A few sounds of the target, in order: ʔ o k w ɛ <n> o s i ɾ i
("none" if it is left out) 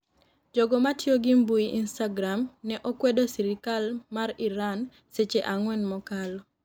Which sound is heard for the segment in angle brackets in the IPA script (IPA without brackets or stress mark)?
d